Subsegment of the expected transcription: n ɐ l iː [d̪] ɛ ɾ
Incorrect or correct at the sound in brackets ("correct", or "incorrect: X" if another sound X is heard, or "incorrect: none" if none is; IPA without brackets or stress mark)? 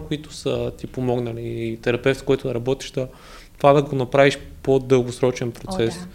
incorrect: t̪